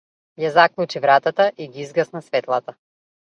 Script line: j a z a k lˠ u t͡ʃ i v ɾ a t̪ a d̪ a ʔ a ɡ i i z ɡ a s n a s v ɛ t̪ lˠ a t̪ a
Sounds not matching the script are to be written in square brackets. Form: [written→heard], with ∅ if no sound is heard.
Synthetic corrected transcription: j a z a k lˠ u t͡ʃ i v ɾ a t̪ a [d̪→t̪] a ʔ [a→i] ɡ i i z ɡ a s n a s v ɛ t̪ lˠ a t̪ a